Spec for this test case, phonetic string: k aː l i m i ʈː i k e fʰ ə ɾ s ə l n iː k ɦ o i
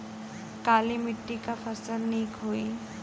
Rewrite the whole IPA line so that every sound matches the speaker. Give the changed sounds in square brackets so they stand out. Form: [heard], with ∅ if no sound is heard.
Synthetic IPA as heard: k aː l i m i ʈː i k [a] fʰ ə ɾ s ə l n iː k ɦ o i